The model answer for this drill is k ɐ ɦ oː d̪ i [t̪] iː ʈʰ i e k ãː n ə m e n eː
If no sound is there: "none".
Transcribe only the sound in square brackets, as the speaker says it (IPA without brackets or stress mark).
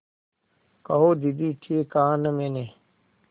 d̪